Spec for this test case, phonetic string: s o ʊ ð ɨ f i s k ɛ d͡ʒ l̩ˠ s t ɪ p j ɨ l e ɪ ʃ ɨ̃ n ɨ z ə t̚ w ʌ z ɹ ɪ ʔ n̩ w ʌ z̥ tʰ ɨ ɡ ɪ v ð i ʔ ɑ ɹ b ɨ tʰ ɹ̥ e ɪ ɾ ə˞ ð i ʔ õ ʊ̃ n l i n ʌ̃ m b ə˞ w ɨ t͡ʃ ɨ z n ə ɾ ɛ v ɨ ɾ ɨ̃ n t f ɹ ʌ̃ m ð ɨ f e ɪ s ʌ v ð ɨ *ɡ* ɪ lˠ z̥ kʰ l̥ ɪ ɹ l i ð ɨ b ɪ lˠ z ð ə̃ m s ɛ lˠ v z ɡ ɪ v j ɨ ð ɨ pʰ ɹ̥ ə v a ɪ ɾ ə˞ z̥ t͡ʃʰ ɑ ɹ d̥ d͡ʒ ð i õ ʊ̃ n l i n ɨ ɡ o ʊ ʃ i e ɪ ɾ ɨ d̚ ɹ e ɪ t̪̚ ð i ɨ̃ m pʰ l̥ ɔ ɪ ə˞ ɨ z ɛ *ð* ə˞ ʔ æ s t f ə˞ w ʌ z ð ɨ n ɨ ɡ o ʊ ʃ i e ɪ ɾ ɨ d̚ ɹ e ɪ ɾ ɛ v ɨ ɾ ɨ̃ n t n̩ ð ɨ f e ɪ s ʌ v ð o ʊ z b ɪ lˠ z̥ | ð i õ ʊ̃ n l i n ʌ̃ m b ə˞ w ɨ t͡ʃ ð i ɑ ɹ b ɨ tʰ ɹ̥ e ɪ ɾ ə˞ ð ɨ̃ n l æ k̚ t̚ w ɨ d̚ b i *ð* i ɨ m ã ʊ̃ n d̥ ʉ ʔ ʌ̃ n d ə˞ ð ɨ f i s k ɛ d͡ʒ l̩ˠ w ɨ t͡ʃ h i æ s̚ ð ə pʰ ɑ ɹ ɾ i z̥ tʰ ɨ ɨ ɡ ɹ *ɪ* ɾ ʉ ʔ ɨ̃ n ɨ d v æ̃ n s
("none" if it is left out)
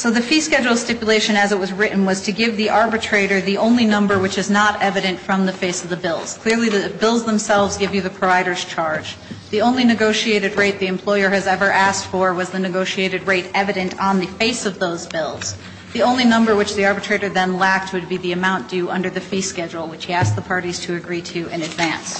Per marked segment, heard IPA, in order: b, v, ð, i

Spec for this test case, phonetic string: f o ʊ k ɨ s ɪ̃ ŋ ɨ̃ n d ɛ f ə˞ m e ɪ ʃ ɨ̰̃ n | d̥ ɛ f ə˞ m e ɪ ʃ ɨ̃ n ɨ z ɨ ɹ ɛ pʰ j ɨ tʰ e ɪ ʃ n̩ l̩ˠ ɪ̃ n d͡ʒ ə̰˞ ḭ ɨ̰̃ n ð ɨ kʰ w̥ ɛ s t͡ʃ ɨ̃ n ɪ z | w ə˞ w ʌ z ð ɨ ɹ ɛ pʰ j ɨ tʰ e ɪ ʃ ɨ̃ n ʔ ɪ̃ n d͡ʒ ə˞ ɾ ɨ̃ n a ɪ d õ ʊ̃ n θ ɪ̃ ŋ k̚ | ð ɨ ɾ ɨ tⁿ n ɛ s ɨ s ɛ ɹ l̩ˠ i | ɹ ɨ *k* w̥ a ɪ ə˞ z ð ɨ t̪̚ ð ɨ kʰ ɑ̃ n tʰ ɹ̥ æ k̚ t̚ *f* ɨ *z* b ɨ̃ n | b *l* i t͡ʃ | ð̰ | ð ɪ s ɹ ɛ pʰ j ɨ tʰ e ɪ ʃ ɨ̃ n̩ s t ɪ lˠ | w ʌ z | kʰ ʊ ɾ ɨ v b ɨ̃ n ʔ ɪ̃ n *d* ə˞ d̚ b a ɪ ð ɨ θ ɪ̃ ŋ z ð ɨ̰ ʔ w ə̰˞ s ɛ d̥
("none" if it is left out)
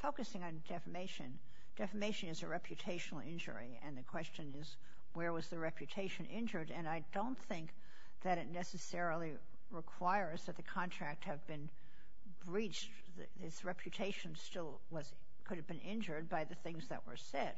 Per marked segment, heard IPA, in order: kʰ, h, v, ɹ, d͡ʒ

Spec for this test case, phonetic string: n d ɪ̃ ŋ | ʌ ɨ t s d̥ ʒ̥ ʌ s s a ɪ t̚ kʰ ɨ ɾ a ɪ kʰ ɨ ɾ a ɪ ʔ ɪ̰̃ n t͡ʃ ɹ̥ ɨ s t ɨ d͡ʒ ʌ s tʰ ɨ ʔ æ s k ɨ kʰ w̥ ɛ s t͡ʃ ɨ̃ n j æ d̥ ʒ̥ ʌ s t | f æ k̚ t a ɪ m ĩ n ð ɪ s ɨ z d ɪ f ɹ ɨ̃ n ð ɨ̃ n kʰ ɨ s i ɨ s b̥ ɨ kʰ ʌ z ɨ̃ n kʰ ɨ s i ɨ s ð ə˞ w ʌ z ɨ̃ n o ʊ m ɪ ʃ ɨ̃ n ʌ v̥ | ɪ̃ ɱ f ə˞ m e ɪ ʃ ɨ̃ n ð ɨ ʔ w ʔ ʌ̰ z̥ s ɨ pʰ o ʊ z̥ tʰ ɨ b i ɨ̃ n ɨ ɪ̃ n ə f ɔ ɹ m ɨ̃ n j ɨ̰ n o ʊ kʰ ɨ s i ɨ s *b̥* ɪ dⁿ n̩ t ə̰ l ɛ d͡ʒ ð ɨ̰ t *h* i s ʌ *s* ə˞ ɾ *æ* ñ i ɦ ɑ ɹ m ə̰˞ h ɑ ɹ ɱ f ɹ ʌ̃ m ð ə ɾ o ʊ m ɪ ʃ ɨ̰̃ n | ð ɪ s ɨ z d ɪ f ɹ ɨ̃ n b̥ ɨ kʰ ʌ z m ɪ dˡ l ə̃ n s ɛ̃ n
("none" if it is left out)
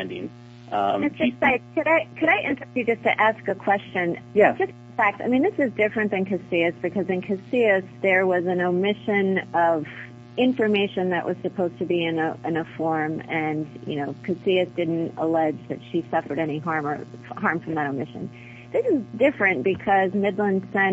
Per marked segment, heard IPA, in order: d̥, ʃ, f, ɛ

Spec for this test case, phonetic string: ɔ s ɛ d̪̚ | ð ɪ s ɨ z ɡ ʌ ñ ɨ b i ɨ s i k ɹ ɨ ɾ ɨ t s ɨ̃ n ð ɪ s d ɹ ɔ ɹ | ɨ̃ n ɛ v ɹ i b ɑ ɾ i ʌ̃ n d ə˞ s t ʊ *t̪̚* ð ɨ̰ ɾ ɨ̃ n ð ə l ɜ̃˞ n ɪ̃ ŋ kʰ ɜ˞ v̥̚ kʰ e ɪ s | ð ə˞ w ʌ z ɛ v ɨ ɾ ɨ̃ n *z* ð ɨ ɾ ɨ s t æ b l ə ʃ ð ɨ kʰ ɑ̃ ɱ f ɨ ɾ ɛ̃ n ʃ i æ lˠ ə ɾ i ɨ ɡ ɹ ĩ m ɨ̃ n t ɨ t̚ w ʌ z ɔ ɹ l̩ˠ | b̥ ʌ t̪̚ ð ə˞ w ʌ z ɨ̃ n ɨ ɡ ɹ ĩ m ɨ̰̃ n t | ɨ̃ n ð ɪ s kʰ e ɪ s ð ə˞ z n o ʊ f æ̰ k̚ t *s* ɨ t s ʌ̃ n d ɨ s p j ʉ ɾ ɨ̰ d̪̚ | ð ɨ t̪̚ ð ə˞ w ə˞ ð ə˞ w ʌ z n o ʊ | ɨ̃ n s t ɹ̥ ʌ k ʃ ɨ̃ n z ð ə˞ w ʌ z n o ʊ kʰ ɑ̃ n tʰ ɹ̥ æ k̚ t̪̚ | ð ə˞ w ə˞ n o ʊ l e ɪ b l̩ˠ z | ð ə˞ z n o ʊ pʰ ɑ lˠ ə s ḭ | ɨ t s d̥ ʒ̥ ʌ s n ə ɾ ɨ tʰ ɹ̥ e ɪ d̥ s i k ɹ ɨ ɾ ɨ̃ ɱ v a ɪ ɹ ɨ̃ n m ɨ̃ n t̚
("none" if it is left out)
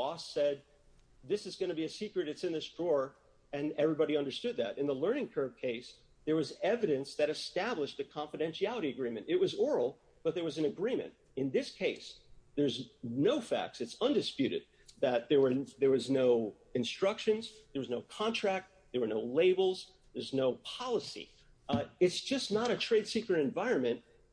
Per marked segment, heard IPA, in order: d̪̚, s, s

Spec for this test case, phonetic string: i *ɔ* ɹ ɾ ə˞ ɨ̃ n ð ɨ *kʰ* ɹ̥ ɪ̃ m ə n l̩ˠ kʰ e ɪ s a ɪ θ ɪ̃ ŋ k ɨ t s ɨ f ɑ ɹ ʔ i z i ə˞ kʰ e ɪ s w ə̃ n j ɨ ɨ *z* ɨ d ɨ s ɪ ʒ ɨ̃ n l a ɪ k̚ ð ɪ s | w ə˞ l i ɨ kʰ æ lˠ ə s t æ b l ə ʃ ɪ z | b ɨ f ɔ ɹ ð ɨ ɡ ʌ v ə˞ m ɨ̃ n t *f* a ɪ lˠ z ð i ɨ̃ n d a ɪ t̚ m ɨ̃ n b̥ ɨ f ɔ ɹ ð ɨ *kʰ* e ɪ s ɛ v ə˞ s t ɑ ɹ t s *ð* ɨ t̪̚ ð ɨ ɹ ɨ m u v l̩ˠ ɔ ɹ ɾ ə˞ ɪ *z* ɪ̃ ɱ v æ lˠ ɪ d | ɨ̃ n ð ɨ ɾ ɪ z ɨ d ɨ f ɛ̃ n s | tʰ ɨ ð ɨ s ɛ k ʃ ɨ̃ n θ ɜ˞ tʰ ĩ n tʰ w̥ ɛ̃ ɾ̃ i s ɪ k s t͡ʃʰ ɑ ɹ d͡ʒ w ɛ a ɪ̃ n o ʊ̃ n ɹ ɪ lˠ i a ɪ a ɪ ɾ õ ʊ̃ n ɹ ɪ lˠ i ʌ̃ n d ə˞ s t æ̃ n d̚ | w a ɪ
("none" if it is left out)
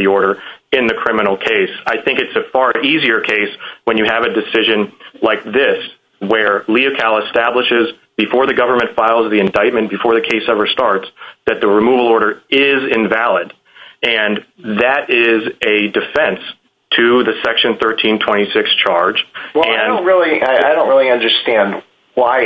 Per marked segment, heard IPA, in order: ɔ, kʰ, v, f, kʰ, ð, z

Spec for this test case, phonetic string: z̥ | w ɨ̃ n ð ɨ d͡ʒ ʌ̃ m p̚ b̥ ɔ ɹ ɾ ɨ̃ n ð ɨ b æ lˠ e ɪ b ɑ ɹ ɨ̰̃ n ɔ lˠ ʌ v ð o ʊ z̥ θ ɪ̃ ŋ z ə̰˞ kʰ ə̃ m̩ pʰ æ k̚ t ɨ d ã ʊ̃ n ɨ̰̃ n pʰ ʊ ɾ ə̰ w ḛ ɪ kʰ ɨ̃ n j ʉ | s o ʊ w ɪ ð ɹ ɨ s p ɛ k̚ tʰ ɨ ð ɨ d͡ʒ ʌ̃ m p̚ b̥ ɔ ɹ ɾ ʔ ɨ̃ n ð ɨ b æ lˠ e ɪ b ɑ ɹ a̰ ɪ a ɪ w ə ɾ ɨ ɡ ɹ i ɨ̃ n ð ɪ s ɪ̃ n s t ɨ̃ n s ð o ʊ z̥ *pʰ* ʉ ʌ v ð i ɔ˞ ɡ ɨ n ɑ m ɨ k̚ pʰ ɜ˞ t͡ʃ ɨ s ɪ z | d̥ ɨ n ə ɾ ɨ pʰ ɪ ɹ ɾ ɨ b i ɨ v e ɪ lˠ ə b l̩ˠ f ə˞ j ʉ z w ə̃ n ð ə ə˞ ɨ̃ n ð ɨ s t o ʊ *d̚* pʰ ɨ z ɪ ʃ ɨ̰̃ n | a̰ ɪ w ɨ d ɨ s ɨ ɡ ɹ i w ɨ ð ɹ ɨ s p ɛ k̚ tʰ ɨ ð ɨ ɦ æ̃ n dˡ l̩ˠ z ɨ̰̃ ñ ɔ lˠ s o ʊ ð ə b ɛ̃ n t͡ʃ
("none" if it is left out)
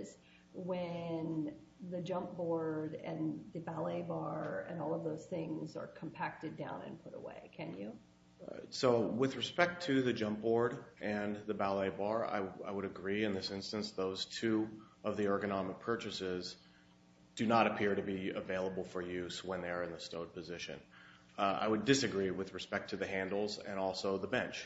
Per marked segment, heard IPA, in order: tʰ, d̚

